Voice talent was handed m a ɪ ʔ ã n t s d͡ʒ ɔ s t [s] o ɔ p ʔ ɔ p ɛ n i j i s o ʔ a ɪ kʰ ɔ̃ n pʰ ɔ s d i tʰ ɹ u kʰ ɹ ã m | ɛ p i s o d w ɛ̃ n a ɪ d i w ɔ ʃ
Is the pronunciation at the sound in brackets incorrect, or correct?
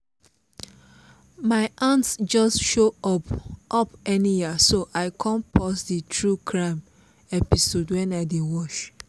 incorrect: ʃ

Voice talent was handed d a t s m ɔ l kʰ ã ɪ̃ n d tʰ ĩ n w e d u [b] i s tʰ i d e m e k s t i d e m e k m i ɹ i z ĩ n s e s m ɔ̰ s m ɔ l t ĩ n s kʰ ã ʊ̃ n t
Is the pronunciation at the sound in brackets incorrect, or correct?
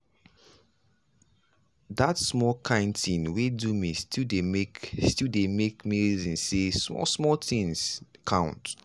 incorrect: m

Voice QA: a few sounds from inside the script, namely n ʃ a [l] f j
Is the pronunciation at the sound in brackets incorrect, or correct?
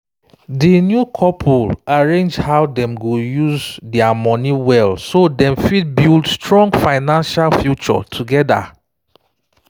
correct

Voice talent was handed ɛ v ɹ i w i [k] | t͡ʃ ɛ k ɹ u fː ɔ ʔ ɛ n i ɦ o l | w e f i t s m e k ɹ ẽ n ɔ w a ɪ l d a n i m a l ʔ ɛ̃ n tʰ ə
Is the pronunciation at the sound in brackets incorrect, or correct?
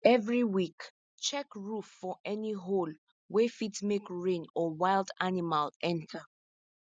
correct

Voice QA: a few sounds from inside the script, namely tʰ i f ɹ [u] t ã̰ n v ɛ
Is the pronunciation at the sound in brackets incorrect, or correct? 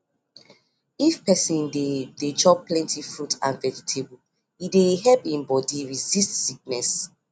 correct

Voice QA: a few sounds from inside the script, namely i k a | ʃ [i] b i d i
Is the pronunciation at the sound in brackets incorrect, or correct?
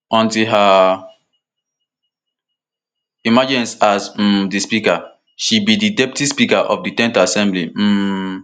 correct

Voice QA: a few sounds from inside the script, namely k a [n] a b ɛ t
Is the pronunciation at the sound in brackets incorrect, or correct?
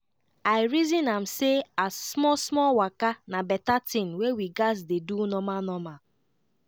correct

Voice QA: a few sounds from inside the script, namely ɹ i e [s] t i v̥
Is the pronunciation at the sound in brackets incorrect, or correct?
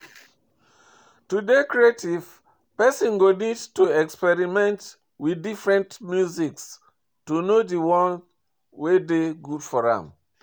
incorrect: none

